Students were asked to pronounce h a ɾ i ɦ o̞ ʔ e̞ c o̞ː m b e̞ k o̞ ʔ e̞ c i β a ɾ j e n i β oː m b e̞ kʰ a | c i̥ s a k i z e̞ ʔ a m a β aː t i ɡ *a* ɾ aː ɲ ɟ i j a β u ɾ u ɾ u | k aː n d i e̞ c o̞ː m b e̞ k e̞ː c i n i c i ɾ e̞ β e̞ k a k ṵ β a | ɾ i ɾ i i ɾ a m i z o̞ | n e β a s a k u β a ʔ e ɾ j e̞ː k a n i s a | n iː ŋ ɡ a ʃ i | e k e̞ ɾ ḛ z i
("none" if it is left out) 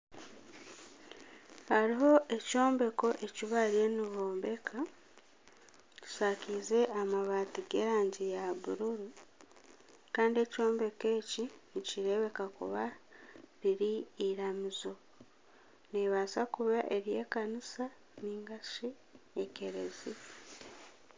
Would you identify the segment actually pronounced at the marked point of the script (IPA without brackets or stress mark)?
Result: e